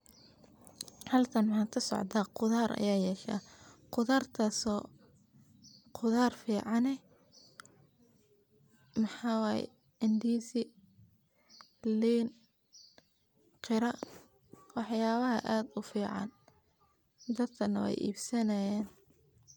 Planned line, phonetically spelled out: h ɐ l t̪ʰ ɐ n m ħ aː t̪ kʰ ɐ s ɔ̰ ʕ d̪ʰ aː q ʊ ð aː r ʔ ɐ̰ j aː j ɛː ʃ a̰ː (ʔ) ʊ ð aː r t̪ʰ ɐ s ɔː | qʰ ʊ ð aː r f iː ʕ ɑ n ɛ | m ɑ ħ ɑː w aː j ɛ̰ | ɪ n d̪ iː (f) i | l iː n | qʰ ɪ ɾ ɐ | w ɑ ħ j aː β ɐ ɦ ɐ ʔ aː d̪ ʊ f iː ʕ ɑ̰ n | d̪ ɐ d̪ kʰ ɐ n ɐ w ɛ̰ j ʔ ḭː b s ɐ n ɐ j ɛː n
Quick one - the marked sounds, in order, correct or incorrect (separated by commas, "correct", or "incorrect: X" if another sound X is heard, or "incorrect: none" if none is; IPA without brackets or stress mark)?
incorrect: q, incorrect: s